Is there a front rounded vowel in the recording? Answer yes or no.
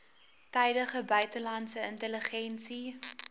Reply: yes